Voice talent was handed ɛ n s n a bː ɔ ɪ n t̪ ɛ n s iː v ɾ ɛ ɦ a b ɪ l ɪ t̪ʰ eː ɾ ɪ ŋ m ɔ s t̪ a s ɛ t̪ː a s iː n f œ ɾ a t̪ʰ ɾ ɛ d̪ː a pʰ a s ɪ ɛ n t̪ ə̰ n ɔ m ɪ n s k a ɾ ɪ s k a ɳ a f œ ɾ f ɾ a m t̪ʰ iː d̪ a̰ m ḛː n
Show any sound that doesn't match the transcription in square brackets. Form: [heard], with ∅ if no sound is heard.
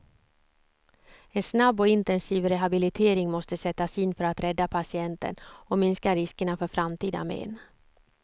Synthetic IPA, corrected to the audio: ɛ n s n a bː ɔ ɪ n t̪ ɛ n s iː v ɾ ɛ ɦ a b ɪ l ɪ t̪ʰ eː ɾ ɪ ŋ m ɔ s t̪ [ə] s ɛ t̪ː a s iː n f œ ɾ a [t̪] ɾ ɛ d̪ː a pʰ a s ɪ ɛ n t̪ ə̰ n ɔ m ɪ n s k a ɾ ɪ s k [ə] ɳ a f œ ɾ f ɾ a m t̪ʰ iː d̪ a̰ m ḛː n